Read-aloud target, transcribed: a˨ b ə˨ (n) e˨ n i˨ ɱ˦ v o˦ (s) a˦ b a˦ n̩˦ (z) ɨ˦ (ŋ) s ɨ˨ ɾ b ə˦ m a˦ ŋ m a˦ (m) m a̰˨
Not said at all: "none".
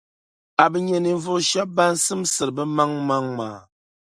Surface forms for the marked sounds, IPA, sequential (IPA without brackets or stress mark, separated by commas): ɲ, ʃ, s, m, ŋ